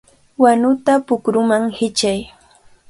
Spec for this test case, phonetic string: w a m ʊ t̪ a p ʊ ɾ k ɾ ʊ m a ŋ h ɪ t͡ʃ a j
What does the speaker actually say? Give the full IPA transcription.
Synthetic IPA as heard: w a n ʊ t̪ a p ʊ k ɾ ʊ m a ŋ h ɪ t͡ʃ a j